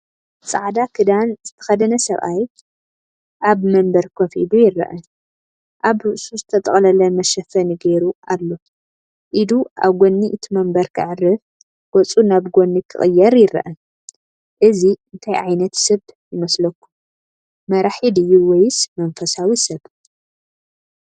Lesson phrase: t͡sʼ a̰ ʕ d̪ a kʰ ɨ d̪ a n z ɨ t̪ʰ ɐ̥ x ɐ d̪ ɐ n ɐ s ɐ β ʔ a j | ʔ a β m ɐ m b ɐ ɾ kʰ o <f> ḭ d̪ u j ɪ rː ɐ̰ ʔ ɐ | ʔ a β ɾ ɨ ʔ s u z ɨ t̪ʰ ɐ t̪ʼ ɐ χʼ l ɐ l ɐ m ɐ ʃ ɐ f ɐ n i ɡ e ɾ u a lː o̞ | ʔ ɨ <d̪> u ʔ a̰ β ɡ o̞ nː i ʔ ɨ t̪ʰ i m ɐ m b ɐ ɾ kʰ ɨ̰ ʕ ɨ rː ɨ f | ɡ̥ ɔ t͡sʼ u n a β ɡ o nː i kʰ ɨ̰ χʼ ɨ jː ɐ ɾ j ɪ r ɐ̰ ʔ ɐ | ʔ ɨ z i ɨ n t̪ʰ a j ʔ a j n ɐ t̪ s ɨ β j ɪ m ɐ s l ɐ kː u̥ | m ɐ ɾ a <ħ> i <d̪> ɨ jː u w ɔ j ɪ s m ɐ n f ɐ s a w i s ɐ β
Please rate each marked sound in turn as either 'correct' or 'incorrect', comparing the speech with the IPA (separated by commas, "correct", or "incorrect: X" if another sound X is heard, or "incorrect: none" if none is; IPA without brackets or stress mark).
correct, correct, correct, correct